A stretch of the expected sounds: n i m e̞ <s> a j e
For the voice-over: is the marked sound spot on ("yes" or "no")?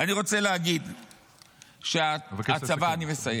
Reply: yes